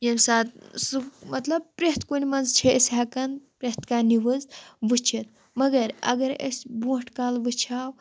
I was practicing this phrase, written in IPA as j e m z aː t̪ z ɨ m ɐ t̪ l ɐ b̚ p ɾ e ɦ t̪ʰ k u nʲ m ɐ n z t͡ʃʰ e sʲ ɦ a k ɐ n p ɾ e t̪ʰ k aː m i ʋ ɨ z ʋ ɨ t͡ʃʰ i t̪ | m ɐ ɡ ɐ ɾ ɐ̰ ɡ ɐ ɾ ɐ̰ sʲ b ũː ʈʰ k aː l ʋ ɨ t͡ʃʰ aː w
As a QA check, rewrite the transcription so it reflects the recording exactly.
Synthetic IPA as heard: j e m s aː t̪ s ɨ m ɐ t̪ l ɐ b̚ p ɾ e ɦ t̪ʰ k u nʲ m ɐ n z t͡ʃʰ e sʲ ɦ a k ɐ n p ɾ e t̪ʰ k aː n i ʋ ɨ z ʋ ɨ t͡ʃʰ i t̪ | m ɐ ɡ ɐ ɾ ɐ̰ ɡ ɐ ɾ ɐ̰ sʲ b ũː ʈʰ k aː l ʋ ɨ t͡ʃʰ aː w